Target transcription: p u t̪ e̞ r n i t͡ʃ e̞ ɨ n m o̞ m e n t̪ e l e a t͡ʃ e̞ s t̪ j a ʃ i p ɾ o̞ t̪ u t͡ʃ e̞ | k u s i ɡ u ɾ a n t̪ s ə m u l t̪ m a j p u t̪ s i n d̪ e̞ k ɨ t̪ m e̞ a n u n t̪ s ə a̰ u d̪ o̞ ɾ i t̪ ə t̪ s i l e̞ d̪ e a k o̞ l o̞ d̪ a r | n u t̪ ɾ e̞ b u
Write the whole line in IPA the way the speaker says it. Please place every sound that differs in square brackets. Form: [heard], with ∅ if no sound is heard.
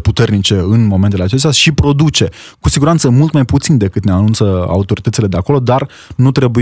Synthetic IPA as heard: p u t̪ e̞ r n i t͡ʃ e̞ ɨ n m o̞ m e n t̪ e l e a t͡ʃ e̞ s t̪ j a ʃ i p ɾ o̞ [d̪] u t͡ʃ e̞ | k u s i ɡ u ɾ a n t̪ s ə m u l t̪ m a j p u t̪ s i n d̪ e̞ k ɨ t̪ [n] e̞ a n u n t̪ s ə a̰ u [t̪] o̞ ɾ i t̪ ə t̪ s i l e̞ d̪ e a k o̞ l o̞ d̪ a r | n u t̪ ɾ e̞ b u